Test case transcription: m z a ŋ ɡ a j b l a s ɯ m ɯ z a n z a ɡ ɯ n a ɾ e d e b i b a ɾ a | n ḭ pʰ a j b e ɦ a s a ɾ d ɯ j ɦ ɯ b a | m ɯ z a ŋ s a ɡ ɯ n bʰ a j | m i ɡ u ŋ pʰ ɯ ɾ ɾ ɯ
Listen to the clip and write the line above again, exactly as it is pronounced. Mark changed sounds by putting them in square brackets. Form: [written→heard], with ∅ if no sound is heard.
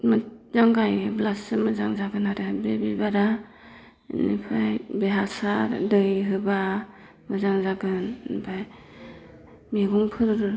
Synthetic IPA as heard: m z a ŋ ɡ a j b l a s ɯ m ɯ z a [n→ŋ] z a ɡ ɯ n a ɾ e [d→b] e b i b a ɾ a | n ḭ pʰ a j b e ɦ a s a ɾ d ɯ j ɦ ɯ b a | m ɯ z a ŋ [s→z] a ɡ ɯ n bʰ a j | m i ɡ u ŋ pʰ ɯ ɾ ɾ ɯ